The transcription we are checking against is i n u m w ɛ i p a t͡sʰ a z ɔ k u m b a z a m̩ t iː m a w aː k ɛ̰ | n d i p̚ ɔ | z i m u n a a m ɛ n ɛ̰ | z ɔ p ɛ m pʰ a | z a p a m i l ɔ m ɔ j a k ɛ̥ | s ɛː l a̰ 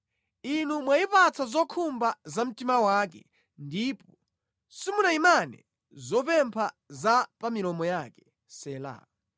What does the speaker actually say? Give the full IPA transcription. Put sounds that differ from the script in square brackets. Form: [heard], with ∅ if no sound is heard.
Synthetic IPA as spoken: i n u m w [a] i p a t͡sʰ a z ɔ [kʰ] u m b a z a m̩ t [i] m a w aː k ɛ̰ | n d i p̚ ɔ | [s] i m u n a [i] m [a] n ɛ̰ | z ɔ p ɛ m pʰ a | z a p a m i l ɔ m ɔ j a k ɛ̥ | s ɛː l a̰

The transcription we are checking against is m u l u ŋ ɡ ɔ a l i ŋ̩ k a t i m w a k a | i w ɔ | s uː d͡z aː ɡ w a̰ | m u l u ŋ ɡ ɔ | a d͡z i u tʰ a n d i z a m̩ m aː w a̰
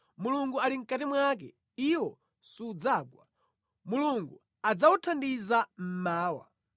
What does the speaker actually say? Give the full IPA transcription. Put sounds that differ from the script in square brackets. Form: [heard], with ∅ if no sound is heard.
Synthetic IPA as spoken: m u l u ŋ ɡ [u] a l i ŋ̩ k a t i m w a k [ɛ] | i w ɔ | s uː d͡z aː ɡ w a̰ | m u l u ŋ ɡ [u] | a d͡z [a] u tʰ a n d i z a m̩ m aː w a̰

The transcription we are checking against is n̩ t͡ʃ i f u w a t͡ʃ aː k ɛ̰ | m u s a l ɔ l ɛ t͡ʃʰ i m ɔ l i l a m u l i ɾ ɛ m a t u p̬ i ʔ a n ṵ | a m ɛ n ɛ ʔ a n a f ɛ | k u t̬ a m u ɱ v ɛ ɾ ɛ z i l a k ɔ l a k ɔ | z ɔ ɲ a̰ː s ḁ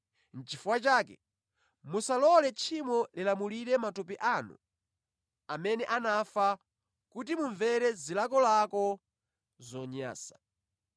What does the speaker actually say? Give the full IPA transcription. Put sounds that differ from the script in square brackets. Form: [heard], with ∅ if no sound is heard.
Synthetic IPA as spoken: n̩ t͡ʃ i f u w a t͡ʃ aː k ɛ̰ | m u s a l ɔ l ɛ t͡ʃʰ i m ɔ l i l a m u l i ɾ ɛ m a t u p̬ i ʔ a n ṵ | a m ɛ n ɛ ʔ a n a f [a] | k u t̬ [i] m u ɱ v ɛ ɾ ɛ z i l a k ɔ l a k ɔ | z ɔ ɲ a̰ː s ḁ

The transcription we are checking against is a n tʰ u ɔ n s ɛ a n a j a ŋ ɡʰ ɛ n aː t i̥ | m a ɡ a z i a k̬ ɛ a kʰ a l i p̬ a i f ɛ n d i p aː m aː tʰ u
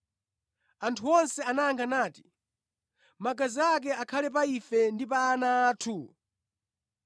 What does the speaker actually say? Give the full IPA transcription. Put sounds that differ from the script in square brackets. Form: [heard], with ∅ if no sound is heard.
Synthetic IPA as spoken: a n tʰ u ɔ n s ɛ a n a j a ŋ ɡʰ [a] n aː t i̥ | m a ɡ a z i a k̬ ɛ a kʰ a l [ɛ] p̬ a i f ɛ n d i p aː [n] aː tʰ u

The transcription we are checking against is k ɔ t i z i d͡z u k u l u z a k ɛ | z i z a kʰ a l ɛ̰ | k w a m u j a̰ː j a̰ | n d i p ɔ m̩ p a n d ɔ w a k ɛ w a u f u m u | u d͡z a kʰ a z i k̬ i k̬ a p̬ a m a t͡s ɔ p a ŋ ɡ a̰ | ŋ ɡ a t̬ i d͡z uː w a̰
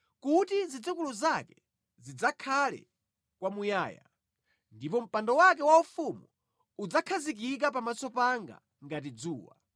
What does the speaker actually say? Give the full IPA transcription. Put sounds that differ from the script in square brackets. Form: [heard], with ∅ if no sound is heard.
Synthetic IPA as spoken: k [u] t i z i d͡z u k u l u z a k ɛ | z i [d͡z] a kʰ a l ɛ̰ | k w a m u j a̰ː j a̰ | n d i p ɔ m̩ p a n d ɔ w a k ɛ w a u f u m u | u d͡z a kʰ a z i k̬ i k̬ a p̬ a m a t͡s ɔ p a ŋ ɡ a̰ | ŋ ɡ a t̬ i d͡z uː w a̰

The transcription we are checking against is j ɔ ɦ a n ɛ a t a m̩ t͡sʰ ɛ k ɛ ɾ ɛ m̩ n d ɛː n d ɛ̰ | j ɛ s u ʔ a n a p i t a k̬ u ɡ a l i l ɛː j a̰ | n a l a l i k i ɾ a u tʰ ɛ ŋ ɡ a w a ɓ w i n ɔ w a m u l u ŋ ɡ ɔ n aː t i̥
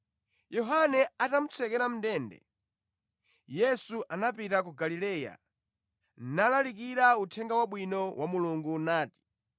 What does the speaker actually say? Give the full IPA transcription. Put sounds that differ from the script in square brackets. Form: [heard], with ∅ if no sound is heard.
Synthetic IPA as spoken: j ɔ ɦ a n ɛ a t a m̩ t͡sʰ ɛ k ɛ ɾ [a] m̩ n d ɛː n d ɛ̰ | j ɛ s u ʔ a n a p i t a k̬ u ɡ a l i l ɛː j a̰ | n a l a l i k i ɾ a u tʰ ɛ ŋ ɡ a w a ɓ w i n ɔ w a m u l u ŋ ɡ [u] n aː t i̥

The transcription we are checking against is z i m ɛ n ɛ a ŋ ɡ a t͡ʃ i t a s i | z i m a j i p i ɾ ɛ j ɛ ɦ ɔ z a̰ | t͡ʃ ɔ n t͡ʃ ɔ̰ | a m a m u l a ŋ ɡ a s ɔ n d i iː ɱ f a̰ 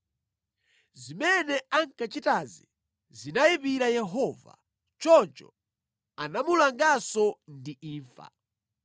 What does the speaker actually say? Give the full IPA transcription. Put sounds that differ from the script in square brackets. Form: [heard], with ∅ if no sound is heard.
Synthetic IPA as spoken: z i m ɛ n ɛ a ŋ [k] a t͡ʃ i t a [z] i | z i [n] a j i p i ɾ [a] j ɛ ɦ ɔ [v] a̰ | t͡ʃ ɔ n t͡ʃ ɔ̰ | a [n] a m u l a ŋ ɡ a s ɔ n d i iː ɱ f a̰

